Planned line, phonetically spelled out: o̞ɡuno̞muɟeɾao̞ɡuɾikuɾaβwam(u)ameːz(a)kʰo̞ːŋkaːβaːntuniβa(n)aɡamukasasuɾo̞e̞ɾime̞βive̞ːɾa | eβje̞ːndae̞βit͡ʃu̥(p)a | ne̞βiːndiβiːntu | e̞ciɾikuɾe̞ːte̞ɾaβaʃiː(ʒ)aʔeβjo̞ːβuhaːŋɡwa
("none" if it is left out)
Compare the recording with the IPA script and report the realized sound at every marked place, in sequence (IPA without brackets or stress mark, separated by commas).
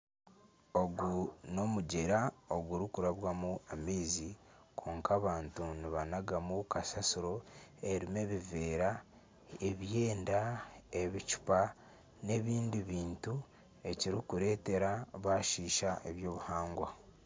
u, i, n, p, ʃ